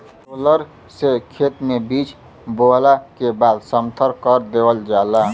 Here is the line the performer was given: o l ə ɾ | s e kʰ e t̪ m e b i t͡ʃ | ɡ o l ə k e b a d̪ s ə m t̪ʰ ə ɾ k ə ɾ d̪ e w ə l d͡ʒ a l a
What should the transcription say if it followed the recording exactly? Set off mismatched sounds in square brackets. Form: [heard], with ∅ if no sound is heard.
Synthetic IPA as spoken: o l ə ɾ | s e kʰ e t̪ m e b i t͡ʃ | [b] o l [a] k e b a d̪ s ə m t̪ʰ ə ɾ k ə ɾ d̪ e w ə l d͡ʒ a l a